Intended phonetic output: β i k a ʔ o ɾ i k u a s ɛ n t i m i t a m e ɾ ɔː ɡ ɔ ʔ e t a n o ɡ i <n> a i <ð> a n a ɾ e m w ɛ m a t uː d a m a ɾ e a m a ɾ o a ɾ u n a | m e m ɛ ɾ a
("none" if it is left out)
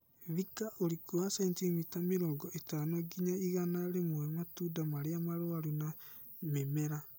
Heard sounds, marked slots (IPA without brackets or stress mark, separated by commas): ɲ, ɣ